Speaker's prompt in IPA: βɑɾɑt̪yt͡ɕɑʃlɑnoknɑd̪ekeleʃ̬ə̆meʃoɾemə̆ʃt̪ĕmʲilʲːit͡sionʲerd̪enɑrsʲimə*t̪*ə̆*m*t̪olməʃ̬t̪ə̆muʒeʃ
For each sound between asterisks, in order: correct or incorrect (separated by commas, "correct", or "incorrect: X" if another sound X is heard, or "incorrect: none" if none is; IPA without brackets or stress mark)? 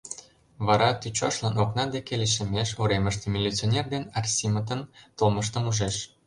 correct, incorrect: n